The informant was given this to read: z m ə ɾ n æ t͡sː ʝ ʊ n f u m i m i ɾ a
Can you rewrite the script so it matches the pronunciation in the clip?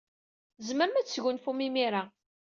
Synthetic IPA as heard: z m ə ɾ m æ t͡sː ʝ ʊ n f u m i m i ɾ a

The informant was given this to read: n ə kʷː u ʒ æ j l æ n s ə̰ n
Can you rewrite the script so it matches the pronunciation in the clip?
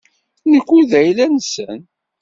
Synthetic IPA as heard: n ə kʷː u ð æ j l æ n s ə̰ n

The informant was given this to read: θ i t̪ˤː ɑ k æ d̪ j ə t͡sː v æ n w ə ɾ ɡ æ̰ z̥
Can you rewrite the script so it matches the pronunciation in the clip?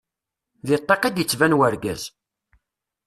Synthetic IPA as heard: ð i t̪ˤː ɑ q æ d̪ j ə t͡sː v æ n w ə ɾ ɡ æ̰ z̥

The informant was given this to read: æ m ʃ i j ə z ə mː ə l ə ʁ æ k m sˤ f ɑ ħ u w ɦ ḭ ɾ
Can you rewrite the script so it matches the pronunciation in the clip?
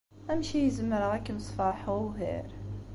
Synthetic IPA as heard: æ m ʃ i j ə z ə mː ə ɾ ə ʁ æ k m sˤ f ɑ ħ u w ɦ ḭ ɾ

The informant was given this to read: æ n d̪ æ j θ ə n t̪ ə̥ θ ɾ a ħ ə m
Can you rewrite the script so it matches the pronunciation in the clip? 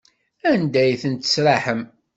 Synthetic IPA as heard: æ n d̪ æ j θ ə n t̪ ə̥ s ɾ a ħ ə m

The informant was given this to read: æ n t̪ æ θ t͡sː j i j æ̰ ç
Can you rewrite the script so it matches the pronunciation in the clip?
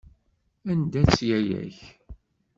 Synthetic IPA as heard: æ n d̪ æ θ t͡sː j æ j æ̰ ç

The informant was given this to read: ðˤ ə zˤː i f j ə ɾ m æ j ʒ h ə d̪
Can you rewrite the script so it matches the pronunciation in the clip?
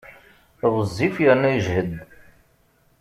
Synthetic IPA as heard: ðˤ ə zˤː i f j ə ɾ n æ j ʒ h ə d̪

